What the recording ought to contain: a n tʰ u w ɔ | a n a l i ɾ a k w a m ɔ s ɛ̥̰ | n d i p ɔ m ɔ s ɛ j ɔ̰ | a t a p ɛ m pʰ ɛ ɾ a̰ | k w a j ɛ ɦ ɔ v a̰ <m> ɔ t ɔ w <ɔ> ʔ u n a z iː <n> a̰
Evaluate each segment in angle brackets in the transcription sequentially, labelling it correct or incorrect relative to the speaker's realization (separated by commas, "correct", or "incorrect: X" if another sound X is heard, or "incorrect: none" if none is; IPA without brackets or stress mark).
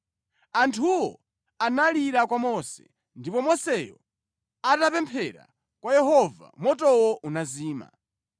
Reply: correct, correct, incorrect: m